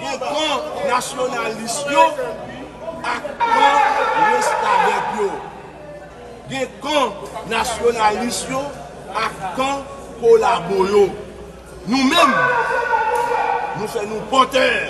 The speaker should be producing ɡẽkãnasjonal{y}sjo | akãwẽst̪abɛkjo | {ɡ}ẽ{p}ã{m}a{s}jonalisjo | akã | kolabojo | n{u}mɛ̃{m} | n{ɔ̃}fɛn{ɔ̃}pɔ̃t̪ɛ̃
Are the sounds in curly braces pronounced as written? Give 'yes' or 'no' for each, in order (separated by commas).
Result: no, yes, no, no, yes, no, yes, no, no